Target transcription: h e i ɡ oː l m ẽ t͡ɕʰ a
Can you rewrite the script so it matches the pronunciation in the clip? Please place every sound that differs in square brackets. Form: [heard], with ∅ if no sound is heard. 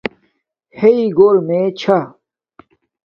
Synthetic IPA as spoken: h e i ɡ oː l m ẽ t͡ɕʰ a